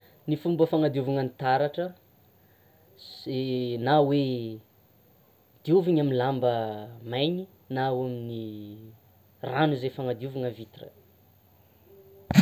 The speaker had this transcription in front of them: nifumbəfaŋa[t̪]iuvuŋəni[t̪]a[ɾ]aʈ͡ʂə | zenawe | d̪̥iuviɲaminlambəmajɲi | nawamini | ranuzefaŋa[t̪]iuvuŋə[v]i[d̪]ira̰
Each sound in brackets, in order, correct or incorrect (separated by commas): incorrect, correct, correct, incorrect, correct, incorrect